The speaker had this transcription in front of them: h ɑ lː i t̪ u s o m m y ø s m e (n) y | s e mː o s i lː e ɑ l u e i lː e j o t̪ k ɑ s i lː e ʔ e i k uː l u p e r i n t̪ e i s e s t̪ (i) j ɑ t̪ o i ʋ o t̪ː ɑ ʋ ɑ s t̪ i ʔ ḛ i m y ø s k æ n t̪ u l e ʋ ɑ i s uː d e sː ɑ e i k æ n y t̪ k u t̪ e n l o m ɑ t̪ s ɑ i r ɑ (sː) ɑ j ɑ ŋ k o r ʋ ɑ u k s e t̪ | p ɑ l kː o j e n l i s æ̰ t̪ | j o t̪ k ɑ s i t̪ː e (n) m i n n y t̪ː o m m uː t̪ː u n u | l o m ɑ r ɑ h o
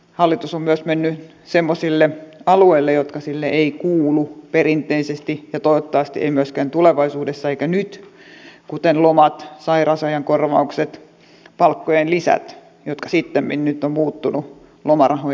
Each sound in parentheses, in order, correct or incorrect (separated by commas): incorrect, correct, incorrect, incorrect